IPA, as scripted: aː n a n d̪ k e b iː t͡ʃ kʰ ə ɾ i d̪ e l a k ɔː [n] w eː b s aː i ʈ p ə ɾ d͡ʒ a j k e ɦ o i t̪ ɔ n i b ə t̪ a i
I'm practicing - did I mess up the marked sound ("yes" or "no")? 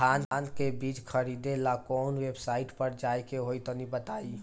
no